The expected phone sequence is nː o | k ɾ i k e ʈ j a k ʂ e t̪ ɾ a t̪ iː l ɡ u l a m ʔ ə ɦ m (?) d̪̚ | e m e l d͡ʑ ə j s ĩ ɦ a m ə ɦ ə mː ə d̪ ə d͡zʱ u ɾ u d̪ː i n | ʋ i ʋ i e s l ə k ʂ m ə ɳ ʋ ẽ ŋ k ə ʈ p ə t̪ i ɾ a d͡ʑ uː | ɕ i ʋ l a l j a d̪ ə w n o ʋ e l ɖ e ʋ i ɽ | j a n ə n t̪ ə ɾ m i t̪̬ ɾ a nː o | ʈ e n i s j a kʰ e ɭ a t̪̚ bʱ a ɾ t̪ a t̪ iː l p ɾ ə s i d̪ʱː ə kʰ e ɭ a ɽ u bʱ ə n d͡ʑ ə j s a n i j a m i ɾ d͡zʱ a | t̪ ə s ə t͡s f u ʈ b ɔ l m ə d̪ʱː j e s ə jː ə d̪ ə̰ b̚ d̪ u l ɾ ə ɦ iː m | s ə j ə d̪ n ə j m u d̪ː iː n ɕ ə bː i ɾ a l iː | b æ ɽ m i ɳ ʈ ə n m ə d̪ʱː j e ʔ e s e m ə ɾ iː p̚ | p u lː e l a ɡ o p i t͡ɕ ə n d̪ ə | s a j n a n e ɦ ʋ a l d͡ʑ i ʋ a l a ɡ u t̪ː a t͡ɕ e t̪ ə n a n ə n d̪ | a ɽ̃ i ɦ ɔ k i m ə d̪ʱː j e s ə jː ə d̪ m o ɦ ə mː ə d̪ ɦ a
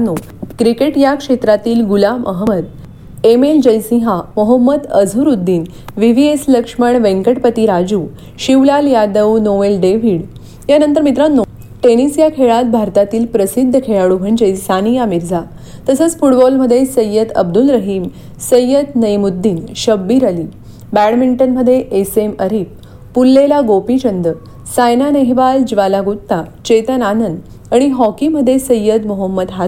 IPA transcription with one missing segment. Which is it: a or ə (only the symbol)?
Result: ə